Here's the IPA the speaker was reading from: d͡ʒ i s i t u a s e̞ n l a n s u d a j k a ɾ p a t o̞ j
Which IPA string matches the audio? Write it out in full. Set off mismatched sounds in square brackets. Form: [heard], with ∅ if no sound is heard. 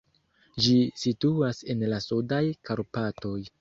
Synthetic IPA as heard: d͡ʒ i s i t u a s e̞ n l a [∅] s u d a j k a ɾ p a t o̞ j